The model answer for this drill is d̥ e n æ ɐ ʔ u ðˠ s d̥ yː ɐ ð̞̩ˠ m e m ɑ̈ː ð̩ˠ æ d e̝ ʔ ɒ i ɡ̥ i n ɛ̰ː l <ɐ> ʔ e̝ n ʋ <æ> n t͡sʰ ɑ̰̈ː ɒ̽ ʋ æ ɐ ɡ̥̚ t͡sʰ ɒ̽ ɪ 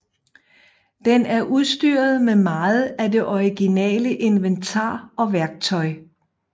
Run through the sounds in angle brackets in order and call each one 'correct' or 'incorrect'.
incorrect, incorrect

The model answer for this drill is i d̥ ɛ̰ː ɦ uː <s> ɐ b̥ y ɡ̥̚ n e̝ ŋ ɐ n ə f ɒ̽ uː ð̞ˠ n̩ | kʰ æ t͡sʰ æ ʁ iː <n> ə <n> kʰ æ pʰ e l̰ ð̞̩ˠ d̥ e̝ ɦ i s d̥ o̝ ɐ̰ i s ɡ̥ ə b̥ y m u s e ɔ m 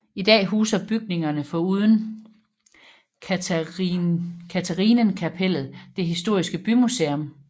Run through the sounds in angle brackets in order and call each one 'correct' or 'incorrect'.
correct, correct, correct

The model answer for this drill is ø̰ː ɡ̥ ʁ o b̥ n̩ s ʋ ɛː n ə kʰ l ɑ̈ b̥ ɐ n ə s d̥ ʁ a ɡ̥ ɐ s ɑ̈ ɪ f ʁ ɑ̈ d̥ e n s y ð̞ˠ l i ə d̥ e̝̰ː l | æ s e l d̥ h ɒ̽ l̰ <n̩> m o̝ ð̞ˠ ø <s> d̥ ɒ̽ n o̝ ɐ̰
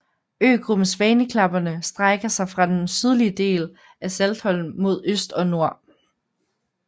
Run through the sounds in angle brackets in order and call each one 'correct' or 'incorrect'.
correct, correct

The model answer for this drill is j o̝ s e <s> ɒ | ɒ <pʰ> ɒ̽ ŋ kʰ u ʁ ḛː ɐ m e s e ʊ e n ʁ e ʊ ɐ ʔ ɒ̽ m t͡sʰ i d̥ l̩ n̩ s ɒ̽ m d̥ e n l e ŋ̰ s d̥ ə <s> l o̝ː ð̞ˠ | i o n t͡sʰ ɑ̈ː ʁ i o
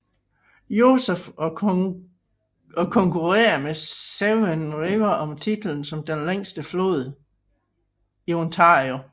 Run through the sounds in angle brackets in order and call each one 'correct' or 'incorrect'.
incorrect, incorrect, incorrect

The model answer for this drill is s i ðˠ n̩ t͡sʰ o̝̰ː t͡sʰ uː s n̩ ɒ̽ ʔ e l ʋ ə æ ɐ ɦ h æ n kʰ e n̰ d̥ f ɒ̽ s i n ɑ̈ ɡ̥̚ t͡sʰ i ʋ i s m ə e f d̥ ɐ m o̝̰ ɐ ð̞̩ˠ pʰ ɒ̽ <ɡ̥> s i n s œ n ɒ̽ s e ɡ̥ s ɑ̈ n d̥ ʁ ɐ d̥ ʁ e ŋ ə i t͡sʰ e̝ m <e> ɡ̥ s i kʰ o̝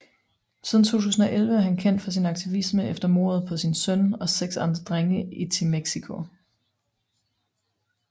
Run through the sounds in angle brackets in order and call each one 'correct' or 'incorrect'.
incorrect, correct

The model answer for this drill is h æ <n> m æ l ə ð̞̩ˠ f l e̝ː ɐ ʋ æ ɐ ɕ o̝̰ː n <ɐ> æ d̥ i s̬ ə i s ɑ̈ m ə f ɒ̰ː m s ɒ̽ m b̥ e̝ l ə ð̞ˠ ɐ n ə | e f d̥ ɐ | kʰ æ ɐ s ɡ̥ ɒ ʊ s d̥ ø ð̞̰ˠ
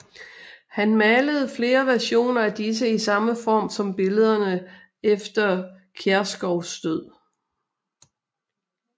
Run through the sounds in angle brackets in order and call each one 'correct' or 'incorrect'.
correct, correct

